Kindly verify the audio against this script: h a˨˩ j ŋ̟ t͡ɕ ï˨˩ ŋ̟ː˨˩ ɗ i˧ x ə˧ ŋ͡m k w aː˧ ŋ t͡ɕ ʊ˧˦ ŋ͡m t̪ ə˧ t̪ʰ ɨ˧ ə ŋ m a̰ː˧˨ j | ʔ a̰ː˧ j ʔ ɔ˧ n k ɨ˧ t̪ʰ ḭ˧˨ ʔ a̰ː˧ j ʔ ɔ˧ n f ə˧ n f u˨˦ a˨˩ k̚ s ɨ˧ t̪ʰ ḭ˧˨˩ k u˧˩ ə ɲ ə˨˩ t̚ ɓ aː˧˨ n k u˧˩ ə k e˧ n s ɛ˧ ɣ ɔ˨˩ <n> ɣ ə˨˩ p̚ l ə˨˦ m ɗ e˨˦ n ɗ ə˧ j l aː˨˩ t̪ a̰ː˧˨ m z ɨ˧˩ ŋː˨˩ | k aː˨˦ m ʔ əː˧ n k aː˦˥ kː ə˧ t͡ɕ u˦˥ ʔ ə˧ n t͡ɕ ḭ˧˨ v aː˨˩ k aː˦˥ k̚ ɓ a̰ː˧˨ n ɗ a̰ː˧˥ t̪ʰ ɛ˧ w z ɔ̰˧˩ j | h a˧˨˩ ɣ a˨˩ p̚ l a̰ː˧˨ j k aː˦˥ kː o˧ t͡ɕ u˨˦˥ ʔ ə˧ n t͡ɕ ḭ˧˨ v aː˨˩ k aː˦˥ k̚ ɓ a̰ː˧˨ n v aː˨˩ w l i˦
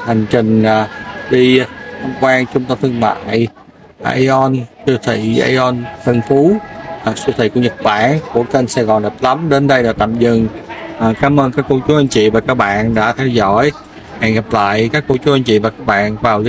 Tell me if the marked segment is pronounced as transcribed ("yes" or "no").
yes